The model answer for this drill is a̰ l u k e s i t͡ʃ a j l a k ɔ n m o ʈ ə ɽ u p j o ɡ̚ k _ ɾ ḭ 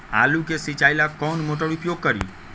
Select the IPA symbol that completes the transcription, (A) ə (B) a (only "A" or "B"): A